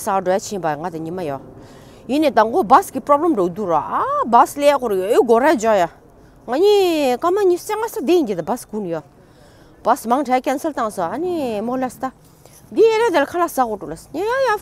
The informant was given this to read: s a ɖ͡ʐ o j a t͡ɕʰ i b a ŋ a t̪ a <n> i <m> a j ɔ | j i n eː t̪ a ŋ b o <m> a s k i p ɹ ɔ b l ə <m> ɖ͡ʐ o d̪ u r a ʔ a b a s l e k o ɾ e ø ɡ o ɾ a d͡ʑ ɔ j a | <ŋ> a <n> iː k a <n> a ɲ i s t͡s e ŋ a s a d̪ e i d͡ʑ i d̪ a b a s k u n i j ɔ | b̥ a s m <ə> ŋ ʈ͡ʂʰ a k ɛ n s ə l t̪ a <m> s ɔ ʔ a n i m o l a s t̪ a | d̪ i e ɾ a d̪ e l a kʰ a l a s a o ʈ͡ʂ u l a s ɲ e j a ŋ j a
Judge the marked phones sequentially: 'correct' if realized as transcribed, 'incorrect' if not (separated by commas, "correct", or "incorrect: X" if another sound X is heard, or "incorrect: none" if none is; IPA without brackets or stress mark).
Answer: incorrect: ɲ, correct, incorrect: b, correct, correct, incorrect: ɲ, incorrect: m, incorrect: a, incorrect: ŋ